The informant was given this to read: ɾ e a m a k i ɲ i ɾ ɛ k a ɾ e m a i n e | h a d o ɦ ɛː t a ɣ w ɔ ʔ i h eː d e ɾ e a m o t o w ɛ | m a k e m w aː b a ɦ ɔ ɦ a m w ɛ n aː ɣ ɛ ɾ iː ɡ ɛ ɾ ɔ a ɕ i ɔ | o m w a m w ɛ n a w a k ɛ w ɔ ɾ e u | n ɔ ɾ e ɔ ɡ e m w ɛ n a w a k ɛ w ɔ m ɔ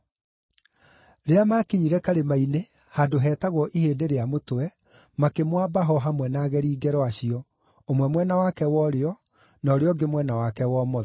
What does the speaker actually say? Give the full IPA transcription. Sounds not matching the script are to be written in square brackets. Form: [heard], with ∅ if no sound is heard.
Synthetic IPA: ɾ e a m a k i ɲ i ɾ ɛ k a ɾ e m a i n e | h a d o ɦ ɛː t a ɣ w ɔ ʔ i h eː d e ɾ e a m o t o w ɛ | m a k e m w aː b a ɦ ɔ ɦ a m w ɛ n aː ɣ ɛ ɾ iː ɡ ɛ ɾ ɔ a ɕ i ɔ | o m w [ɛ] m w ɛ n a w a k ɛ w ɔ ɾ e [ɔ] | n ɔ ɾ e ɔ ɡ e m w ɛ n a w a k ɛ w ɔ m ɔ